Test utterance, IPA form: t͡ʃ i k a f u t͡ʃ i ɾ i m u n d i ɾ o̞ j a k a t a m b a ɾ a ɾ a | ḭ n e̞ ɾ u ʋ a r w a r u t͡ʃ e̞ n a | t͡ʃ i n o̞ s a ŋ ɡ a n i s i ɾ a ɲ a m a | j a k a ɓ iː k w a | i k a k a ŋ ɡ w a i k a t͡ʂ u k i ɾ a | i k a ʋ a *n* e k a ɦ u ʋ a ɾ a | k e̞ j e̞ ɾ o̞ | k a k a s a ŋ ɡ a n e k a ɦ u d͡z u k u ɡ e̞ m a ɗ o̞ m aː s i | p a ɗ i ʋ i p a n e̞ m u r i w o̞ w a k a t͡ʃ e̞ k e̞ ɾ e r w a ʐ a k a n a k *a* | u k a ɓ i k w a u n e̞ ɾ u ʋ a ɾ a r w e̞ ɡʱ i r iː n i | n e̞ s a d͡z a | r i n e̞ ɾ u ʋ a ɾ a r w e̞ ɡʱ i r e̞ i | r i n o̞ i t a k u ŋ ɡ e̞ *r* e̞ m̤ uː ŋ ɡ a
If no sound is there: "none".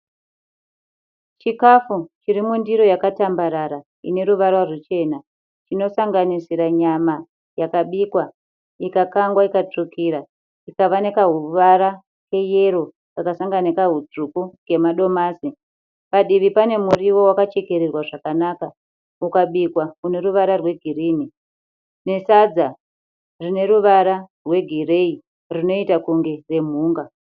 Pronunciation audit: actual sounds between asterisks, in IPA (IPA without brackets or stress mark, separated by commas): n, a, r